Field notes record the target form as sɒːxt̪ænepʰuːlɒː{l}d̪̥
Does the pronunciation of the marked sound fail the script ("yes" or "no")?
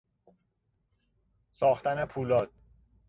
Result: yes